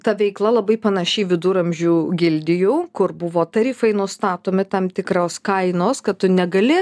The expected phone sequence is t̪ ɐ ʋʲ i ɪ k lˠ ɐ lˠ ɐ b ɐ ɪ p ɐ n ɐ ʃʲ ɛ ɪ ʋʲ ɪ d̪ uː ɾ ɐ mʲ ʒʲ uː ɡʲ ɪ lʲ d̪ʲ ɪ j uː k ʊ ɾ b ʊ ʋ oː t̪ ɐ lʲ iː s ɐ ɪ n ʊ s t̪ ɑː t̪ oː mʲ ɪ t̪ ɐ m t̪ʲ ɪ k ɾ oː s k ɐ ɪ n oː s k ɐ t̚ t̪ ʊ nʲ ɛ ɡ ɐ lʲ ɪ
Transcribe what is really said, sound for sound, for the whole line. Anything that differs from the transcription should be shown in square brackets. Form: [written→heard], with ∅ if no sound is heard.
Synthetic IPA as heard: t̪ ɐ ʋʲ [i→ɛ] ɪ k lˠ ɐ lˠ ɐ b ɐ ɪ p ɐ n ɐ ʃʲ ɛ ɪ ʋʲ ɪ d̪ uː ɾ ɐ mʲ ʒʲ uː ɡʲ ɪ lʲ d̪ʲ ɪ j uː k ʊ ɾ b ʊ ʋ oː t̪ ɐ [lʲ→ɾʲ] iː [s→f] ɐ ɪ n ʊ s t̪ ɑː t̪ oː mʲ ɪ t̪ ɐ m t̪ʲ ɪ k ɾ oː s k ɐ ɪ n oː s k ɐ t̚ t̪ ʊ nʲ ɛ ɡ ɐ lʲ ɪ